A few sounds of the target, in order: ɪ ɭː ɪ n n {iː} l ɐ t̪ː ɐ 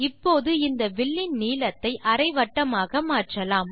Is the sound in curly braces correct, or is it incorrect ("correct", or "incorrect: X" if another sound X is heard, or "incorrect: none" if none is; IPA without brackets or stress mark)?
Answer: correct